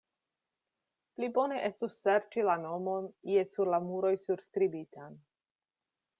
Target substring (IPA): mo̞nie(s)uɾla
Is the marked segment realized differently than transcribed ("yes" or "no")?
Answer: no